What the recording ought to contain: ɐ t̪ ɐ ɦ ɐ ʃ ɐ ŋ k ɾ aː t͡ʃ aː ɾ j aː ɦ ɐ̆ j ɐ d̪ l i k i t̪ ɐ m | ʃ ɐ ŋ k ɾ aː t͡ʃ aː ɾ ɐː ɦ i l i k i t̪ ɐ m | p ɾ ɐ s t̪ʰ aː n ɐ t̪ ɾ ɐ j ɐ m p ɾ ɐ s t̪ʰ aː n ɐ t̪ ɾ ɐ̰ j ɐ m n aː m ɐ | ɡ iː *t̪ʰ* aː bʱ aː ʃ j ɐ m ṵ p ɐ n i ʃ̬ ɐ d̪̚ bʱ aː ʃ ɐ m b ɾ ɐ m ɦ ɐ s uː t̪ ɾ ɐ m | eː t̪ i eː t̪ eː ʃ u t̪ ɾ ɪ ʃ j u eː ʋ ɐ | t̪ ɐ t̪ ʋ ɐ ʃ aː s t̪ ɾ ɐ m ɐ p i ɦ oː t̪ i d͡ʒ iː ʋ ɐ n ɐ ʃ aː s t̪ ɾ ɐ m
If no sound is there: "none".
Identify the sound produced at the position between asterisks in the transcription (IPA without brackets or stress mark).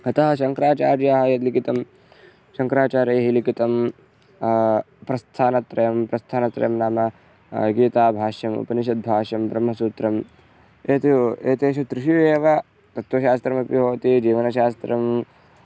t̪